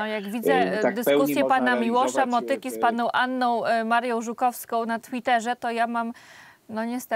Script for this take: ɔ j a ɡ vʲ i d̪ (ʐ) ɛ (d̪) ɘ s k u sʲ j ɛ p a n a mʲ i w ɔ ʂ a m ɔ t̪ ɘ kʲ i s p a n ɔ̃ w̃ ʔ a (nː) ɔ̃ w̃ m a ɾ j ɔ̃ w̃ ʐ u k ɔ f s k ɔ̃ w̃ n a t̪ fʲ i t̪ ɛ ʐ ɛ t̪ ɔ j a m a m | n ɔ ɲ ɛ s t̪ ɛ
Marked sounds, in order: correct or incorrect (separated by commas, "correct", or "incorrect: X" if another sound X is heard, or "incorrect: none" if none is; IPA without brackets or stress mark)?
incorrect: z, correct, correct